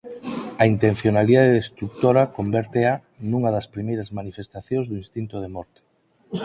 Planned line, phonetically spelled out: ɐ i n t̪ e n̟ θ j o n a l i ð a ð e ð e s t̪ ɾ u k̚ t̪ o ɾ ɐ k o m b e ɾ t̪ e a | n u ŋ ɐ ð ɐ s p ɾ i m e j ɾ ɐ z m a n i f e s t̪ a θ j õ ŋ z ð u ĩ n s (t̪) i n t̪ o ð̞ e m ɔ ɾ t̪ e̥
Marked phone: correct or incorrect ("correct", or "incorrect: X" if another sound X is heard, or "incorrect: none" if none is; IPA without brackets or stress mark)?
correct